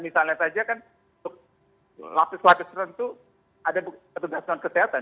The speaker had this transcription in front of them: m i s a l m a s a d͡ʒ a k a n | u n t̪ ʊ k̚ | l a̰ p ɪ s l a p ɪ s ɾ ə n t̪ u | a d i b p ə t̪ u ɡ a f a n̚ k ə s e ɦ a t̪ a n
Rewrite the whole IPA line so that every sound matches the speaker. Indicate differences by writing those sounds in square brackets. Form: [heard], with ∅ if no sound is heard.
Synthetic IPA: m i s a l [ɲ] a s a d͡ʒ a k a n | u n t̪ ʊ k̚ | l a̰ p ɪ s l a p ɪ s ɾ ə n t̪ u | a d [a] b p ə t̪ u ɡ a [s] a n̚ k ə s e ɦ a t̪ a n